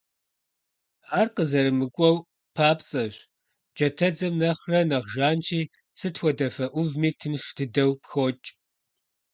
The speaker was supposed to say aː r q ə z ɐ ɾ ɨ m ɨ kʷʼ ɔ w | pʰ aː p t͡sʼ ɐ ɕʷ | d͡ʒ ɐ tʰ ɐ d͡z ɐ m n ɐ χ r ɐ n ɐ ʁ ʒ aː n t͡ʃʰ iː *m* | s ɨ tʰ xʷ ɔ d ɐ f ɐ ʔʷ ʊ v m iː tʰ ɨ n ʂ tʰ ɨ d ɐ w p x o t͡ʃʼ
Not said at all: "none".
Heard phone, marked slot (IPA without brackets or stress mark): none